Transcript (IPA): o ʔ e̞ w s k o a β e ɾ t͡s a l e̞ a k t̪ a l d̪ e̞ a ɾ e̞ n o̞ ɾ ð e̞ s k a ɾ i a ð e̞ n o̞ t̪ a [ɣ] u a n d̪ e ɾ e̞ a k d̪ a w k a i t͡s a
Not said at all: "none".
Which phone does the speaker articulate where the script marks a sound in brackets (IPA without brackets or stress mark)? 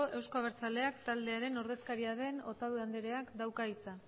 ð